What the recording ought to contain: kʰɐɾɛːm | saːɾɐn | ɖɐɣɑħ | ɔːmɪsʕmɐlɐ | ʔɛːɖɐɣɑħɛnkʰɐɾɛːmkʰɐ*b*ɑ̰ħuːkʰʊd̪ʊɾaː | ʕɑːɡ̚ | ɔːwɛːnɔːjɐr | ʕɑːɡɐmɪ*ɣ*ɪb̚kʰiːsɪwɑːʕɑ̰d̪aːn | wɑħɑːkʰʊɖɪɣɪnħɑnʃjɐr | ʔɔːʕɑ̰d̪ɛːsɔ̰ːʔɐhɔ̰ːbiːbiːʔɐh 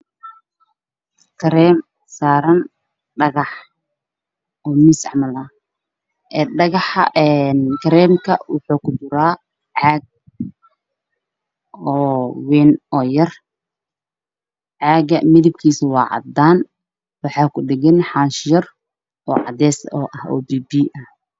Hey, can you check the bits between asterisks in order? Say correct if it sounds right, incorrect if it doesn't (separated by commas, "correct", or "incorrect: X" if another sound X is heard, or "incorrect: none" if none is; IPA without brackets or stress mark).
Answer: incorrect: w, incorrect: ð